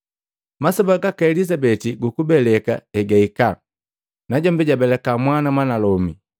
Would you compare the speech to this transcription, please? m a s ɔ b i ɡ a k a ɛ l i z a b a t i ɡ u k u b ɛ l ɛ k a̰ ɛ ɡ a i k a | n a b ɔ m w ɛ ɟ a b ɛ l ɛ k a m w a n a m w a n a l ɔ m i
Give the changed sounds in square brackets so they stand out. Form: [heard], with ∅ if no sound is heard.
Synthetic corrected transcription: m a s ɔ b [a] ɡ a k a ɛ l i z a b [ɛ] t i ɡ u k u b ɛ l ɛ k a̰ ɛ ɡ a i k a | n a [ɟ] ɔ m [b] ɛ ɟ a b ɛ l ɛ k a m w a n a m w a n a l ɔ m i